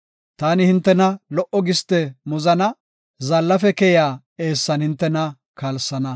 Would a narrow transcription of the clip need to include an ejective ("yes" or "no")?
no